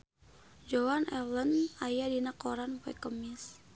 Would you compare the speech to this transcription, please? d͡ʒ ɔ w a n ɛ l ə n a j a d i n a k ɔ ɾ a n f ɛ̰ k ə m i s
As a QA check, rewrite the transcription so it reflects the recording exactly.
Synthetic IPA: d͡ʒ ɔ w a n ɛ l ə n a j a d i n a k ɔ ɾ a n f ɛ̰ k ə m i s